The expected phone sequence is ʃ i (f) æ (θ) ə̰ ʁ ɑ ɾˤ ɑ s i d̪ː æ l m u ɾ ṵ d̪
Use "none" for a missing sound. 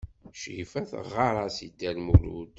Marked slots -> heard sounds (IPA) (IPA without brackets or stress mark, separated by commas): f, θ